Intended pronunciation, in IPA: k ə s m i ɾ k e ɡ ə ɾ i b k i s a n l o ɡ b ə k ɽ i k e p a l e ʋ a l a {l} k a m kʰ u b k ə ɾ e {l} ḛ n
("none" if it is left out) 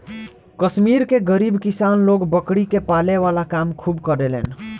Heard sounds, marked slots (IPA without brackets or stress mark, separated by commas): none, l